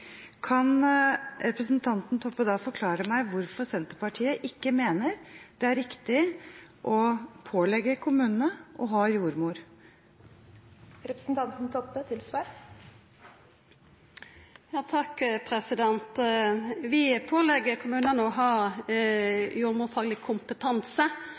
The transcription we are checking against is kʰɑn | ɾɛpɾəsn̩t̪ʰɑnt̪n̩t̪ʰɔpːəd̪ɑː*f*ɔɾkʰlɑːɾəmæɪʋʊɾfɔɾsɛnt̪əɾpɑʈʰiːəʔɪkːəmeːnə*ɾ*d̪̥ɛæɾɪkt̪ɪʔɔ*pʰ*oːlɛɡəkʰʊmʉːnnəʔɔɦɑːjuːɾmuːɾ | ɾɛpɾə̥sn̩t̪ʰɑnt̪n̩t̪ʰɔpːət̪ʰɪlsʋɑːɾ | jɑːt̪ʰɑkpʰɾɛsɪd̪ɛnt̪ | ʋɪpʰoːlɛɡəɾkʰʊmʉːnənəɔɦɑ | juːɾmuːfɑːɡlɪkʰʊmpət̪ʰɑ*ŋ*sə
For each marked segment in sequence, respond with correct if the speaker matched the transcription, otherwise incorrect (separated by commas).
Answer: correct, correct, correct, incorrect